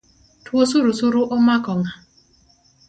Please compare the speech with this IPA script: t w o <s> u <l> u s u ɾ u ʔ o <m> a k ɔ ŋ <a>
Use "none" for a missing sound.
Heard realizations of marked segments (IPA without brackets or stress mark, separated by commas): s, ɾ, m, a